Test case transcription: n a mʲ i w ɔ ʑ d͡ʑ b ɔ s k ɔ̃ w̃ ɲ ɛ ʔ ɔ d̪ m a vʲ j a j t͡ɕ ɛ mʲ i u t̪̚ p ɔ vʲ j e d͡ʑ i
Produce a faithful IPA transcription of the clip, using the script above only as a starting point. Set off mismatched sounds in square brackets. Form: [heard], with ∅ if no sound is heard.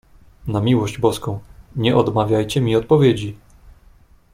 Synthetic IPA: n a mʲ i w ɔ ʑ d͡ʑ b ɔ s k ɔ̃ w̃ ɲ ɛ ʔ ɔ d̪ m a vʲ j a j t͡ɕ ɛ mʲ i [ɔ] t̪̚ p ɔ vʲ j e d͡ʑ i